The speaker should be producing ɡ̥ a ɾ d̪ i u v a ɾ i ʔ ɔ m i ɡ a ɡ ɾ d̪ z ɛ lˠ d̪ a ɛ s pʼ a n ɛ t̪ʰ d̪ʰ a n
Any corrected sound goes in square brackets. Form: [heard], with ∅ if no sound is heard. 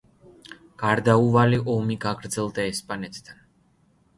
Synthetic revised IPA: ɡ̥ a ɾ d̪ [a] u v a [l] i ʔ ɔ m i ɡ a ɡ ɾ d̪ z ɛ lˠ d̪ a ɛ s pʼ a n ɛ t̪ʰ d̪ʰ a n